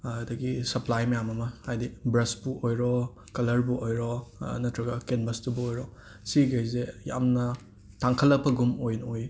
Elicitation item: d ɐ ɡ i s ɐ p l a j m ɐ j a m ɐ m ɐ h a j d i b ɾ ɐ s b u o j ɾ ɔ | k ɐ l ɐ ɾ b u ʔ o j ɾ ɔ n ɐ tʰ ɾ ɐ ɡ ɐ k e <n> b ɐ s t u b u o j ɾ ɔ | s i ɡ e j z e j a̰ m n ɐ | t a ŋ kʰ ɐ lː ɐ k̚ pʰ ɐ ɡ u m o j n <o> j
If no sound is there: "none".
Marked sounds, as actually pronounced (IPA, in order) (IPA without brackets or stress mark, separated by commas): n, o